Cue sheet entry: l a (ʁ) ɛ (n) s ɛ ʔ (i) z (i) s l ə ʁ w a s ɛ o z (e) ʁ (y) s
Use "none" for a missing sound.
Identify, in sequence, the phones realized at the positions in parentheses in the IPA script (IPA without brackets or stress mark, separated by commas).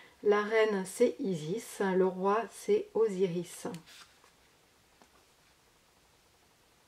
ʁ, n, i, i, i, i